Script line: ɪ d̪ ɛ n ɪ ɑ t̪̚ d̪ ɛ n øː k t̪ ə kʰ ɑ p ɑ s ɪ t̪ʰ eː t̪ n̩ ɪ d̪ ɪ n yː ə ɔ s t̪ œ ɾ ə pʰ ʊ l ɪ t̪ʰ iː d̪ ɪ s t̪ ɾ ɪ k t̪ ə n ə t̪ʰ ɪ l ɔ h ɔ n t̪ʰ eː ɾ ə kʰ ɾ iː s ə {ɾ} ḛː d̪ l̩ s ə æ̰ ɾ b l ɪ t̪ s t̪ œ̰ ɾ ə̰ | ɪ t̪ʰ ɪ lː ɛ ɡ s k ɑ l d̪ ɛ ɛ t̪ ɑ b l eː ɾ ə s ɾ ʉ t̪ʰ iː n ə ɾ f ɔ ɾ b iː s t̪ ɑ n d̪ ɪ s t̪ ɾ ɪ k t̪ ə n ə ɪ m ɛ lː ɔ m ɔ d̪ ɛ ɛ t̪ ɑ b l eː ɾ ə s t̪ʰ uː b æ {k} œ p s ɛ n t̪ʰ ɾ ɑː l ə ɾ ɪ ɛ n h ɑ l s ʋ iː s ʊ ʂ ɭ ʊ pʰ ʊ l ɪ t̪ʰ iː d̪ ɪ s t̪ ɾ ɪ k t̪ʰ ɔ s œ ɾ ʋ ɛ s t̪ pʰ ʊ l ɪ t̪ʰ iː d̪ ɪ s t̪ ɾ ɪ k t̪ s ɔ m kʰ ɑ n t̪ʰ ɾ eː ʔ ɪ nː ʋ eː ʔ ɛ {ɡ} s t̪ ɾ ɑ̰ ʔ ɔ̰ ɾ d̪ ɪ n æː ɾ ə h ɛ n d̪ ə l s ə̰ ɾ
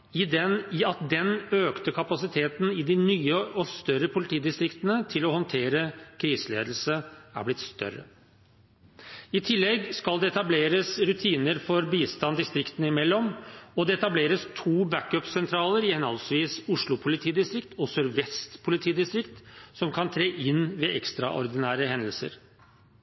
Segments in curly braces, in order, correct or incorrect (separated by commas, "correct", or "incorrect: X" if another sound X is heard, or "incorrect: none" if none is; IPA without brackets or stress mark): incorrect: l, correct, incorrect: k